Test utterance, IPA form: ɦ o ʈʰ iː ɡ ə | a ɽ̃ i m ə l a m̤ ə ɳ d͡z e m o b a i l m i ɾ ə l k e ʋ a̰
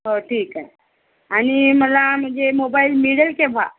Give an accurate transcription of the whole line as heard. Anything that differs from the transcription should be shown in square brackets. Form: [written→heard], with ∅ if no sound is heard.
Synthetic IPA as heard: ɦ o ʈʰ iː [ɡ→k] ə | a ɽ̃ i m ə l a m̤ ə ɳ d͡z e m o b a i l m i [ɾ→ɽ] ə l k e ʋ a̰

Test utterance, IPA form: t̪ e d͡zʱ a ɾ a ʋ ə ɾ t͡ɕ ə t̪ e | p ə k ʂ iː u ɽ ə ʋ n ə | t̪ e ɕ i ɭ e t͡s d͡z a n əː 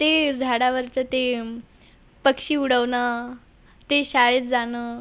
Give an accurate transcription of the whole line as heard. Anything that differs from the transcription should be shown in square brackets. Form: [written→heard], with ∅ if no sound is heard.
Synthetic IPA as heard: t̪ e d͡zʱ a [ɾ→ɽ] a ʋ ə ɾ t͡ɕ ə t̪ e | p ə k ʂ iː u ɽ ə ʋ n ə | t̪ e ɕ [i→a] ɭ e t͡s d͡z a n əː

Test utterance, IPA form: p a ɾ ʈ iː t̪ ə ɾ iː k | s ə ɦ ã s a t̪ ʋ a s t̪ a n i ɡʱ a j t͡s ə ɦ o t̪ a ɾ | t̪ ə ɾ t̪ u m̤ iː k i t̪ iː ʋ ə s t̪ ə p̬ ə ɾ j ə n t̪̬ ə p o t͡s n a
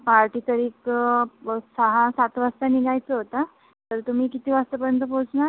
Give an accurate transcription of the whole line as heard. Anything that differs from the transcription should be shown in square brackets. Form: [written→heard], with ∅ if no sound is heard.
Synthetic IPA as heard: p a ɾ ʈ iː t̪ ə ɾ iː k | s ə ɦ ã s a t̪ ʋ a s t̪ a n i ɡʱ a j t͡s ə ɦ o t̪ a [ɾ→∅] | t̪ ə ɾ t̪ u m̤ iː k i t̪ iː ʋ [ə→a] s t̪ ə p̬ ə ɾ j ə n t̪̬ ə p o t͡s n a

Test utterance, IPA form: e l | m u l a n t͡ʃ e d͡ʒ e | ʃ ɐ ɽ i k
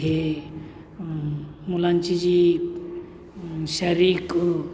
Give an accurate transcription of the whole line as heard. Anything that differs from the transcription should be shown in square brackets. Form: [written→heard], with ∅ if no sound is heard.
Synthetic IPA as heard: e [l→∅] | m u l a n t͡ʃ [e→i] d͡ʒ [e→i] | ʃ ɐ [ɽ→ɾ] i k

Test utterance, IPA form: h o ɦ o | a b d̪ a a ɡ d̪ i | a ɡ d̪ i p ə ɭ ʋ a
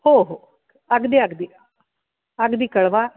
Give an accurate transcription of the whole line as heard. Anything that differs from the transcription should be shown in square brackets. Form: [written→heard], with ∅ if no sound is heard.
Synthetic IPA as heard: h o ɦ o | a [b→ɡ] d̪ [a→i] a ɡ d̪ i | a ɡ d̪ i [p→k] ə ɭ ʋ a

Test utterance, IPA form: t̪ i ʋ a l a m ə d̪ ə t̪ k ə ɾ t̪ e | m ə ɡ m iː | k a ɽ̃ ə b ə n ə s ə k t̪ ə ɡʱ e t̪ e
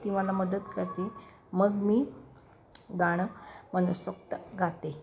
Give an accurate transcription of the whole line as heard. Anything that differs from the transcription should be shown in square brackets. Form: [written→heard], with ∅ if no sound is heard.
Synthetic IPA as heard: t̪ i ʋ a l a m ə d̪ ə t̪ k ə ɾ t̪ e | m ə ɡ m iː | [k→ɡ] a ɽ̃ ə [b→m] ə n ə s ə k t̪ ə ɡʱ [e→a] t̪ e

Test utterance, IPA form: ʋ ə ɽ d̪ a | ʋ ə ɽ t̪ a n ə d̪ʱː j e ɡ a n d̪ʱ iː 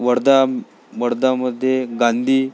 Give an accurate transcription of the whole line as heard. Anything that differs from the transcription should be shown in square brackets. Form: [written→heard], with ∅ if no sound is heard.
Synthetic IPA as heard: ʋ ə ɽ d̪ a | ʋ ə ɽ [t̪→d̪] a [n→m] ə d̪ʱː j e ɡ a n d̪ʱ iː

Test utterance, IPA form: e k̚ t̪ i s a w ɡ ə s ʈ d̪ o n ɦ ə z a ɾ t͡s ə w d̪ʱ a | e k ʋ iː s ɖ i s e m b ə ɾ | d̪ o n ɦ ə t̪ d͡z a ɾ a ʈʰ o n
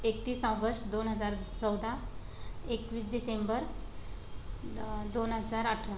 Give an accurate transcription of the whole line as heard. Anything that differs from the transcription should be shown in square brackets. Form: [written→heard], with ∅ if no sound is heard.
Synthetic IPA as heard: e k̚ t̪ [i→iː] s a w ɡ ə s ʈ d̪ o n ɦ ə [z→d͡z] a ɾ t͡s ə w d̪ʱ a | e k ʋ iː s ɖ i s e m b ə ɾ | d̪ o n ɦ ə [t̪→∅] d͡z a ɾ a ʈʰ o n

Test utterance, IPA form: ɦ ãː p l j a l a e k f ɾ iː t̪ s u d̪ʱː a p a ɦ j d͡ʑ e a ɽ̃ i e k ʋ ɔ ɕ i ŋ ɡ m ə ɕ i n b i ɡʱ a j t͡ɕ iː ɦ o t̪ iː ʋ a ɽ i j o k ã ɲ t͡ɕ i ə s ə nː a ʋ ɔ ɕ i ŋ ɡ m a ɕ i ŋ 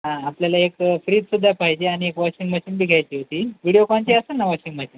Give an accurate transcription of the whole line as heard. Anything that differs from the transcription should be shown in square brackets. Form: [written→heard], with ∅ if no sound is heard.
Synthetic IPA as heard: ɦ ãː p l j a l a e k f ɾ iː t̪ s u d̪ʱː a p a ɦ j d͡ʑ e a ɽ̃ i e k ʋ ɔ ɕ i ŋ ɡ m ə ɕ i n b i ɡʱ a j t͡ɕ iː ɦ o t̪ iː ʋ [a→i] ɽ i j o k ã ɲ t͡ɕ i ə s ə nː a ʋ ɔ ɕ i ŋ ɡ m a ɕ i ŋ

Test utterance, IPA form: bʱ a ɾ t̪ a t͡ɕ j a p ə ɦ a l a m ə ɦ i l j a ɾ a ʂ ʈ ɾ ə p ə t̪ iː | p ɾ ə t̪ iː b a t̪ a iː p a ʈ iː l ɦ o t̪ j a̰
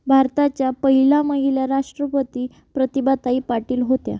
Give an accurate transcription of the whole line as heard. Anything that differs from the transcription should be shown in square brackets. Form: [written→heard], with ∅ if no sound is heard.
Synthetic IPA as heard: bʱ a ɾ t̪ a t͡ɕ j a p ə ɦ [a→i] l a m ə ɦ i l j a ɾ a ʂ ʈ ɾ ə p ə t̪ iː | p ɾ ə t̪ [iː→i] b a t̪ a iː p a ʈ iː l ɦ o t̪ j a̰

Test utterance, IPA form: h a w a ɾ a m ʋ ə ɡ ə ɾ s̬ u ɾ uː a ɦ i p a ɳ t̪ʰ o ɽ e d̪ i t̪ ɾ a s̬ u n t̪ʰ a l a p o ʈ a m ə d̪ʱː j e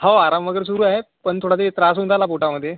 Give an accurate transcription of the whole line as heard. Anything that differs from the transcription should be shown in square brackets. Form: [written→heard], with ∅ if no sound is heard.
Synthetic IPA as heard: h a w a ɾ a m ʋ ə ɡ ə ɾ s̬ u ɾ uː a ɦ [i→e] p [a→ə] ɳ t̪ʰ o ɽ [e→a] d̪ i t̪ ɾ a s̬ u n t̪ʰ a l a p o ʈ a m ə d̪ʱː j e

